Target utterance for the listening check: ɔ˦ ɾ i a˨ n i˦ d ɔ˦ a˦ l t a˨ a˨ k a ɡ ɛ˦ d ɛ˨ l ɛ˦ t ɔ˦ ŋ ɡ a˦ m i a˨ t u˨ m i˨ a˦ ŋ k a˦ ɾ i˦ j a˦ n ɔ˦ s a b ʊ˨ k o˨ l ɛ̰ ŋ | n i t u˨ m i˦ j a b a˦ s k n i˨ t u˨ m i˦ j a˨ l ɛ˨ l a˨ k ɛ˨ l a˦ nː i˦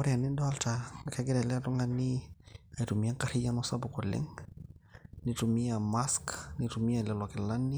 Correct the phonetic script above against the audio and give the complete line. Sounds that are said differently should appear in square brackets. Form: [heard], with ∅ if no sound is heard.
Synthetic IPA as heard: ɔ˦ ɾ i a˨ n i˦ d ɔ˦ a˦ l t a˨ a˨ k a ɡ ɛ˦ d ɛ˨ l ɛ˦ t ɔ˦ ŋ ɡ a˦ [n] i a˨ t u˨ m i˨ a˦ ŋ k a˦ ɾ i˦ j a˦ n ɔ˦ s a b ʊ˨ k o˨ l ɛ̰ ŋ | n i t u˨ m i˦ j a [m] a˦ s k n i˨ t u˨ m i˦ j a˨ l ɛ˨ l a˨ k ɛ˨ l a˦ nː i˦